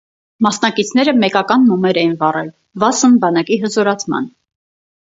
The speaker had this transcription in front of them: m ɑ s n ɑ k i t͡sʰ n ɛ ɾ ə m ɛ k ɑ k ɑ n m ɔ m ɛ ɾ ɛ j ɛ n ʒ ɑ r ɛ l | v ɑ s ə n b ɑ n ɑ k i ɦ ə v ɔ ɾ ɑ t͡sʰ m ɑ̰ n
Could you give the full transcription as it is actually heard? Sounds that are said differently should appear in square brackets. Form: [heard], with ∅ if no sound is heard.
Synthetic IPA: m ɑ s n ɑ k i t͡sʰ n ɛ ɾ ə m ɛ k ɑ k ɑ n m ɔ m ɛ ɾ ɛ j [i] n [v] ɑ r ɛ l | v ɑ s ə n b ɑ n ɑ k i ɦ ə [z] ɔ ɾ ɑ t͡sʰ m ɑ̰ n